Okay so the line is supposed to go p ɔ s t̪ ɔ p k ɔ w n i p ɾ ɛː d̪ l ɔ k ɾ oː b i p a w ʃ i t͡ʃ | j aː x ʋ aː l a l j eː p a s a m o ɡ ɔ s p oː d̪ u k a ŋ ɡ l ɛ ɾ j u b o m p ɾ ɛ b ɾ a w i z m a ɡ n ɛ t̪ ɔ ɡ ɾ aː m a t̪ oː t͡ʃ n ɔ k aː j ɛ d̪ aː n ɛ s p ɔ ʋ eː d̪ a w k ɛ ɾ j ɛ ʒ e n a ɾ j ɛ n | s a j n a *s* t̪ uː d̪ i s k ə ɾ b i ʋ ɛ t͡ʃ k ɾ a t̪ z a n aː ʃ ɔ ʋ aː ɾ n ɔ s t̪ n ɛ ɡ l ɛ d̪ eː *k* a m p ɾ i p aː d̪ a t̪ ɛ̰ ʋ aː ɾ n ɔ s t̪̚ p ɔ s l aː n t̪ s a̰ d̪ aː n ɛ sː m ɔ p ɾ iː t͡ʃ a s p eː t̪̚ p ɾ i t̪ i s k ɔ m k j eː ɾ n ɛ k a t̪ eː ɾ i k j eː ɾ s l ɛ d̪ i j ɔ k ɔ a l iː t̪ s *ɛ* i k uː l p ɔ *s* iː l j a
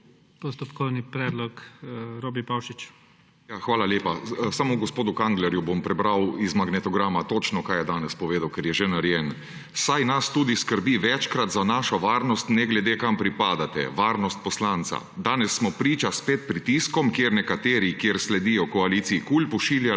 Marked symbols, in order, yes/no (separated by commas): yes, yes, no, no